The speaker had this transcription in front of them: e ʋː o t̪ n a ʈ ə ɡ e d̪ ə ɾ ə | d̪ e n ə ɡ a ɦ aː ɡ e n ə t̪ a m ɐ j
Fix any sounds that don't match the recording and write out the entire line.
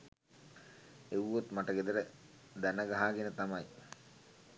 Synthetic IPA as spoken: e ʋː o t̪ m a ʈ ə ɡ e d̪ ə ɾ ə | d̪ æ n ə ɡ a ɦ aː ɡ e n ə t̪ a m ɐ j